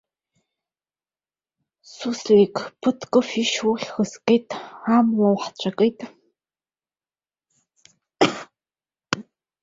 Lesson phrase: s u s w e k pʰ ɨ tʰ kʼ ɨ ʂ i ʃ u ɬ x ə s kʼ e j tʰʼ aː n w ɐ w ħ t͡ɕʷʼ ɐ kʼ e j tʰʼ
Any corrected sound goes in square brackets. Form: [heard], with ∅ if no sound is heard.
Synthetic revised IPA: s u s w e k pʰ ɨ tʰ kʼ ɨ [f] i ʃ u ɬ x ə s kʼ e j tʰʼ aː [m] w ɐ w ħ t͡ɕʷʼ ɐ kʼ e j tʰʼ